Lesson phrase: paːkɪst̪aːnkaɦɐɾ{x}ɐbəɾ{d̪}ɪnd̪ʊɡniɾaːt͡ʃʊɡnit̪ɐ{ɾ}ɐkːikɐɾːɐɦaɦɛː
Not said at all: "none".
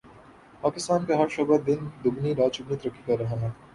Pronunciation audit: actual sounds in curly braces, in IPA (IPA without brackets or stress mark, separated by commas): ʃ, d̪, ɾ